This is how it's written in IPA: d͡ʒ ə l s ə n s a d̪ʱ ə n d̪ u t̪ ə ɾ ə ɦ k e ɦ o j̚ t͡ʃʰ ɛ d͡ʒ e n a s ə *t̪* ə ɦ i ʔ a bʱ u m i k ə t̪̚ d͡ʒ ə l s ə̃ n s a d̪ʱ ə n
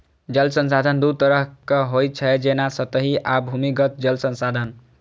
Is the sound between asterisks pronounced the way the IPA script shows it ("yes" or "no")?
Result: yes